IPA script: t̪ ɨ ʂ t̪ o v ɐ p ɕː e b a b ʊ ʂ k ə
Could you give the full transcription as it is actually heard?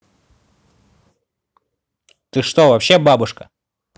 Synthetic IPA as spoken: t̪ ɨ ʂ t̪ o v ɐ p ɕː e b a b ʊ ʂ k ə